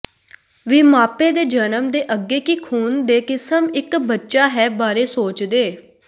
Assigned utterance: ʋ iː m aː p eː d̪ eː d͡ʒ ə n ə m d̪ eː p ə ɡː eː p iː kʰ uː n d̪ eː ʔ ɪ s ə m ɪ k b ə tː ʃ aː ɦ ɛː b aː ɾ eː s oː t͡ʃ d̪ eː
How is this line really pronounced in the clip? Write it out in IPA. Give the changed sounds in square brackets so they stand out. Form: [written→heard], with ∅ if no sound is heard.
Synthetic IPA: ʋ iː m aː p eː d̪ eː d͡ʒ ə n ə m d̪ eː [p→ʔ] ə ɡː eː [p→k] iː kʰ uː n d̪ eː [ʔ→k] ɪ s ə m ɪ k b ə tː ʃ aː ɦ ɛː b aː ɾ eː s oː t͡ʃ d̪ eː